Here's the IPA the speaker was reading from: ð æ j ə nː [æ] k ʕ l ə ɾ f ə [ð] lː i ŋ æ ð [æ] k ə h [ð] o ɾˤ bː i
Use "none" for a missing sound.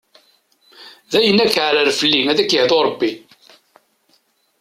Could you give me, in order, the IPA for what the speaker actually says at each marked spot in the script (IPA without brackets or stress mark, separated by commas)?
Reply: æ, none, æ, ð